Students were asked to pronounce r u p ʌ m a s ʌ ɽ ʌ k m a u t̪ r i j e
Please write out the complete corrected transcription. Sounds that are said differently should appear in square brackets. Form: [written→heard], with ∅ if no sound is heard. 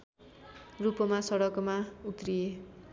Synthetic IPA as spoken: r u p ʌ m a s ʌ ɽ ʌ k m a u t̪ r i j e